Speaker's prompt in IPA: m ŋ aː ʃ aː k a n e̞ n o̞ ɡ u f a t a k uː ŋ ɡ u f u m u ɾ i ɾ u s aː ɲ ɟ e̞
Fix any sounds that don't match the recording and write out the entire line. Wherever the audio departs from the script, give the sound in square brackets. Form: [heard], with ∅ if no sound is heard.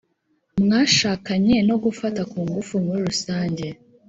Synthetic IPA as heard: m ŋ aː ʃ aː k a [ɲ] e̞ n o̞ ɡ u f a t a k uː ŋ ɡ u f u m u ɾ i ɾ u s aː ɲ ɟ e̞